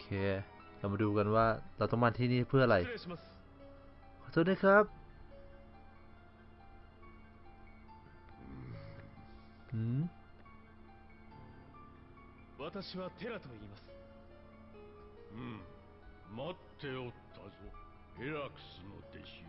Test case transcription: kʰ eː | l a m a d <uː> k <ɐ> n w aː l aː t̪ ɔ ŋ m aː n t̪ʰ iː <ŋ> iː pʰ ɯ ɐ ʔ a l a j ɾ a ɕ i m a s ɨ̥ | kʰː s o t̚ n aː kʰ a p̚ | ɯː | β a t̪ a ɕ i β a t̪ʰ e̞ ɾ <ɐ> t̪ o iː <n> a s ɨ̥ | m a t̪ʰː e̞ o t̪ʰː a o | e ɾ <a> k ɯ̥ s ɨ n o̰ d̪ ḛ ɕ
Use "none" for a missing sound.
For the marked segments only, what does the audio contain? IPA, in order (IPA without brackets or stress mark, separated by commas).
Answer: uː, a, n, a, m, a